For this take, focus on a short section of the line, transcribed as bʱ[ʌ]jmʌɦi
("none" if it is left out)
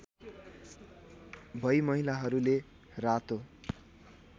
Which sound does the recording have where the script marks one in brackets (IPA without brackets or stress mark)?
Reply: ʌ